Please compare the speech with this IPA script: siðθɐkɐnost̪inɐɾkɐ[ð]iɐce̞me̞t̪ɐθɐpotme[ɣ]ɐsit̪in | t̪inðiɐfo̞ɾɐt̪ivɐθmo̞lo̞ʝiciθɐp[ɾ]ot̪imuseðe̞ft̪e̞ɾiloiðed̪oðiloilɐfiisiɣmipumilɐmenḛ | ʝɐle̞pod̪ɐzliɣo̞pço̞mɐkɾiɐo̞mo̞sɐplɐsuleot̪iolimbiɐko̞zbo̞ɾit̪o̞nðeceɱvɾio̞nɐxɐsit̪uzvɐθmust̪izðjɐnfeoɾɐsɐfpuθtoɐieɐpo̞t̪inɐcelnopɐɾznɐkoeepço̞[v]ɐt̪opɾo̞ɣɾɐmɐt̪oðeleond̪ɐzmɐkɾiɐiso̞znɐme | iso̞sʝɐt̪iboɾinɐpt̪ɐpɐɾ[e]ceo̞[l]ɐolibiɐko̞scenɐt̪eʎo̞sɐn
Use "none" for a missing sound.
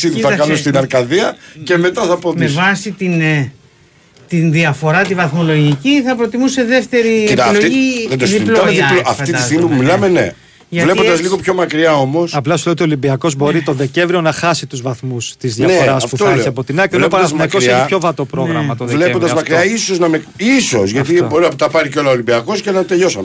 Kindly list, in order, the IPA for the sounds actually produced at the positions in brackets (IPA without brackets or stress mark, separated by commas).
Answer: ð, v, ɾ, v, i, l